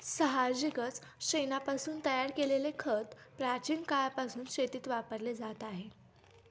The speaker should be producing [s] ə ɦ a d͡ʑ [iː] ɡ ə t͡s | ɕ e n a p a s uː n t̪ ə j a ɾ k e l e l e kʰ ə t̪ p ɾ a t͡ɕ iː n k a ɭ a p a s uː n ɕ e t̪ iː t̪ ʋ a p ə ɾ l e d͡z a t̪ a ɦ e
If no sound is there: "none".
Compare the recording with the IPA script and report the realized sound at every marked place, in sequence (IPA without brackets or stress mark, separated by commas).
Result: s, i